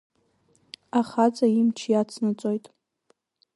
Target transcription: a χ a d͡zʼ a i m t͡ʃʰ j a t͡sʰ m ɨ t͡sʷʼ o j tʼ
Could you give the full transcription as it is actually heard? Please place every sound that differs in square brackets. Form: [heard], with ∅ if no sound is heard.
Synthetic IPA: a χ a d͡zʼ a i m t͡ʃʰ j a t͡sʰ [n] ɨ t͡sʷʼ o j tʼ